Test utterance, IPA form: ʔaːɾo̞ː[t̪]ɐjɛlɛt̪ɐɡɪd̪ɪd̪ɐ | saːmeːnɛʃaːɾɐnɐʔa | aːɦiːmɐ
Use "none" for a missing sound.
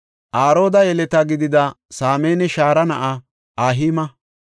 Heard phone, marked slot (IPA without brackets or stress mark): d̪